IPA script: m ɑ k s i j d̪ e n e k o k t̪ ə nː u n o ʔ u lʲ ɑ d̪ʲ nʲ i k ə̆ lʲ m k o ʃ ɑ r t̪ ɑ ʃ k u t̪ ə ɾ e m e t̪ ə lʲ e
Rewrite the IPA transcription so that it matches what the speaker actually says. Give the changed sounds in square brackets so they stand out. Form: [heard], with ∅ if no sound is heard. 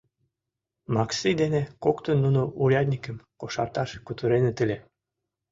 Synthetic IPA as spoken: m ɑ k s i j d̪ e n e k o k t̪ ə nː u n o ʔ u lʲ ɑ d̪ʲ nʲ i k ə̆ [∅] m k o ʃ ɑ r t̪ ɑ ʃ k u t̪ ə ɾ e [n] e t̪ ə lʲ e